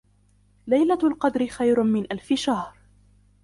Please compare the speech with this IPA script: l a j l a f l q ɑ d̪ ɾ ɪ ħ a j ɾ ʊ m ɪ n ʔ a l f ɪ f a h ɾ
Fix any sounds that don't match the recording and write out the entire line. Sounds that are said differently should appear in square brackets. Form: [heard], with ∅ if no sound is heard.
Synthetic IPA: l a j l a [∅] l q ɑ d̪ ɾ ɪ [x] a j ɾ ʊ m ɪ n ʔ a l f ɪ [ʃ] a h ɾ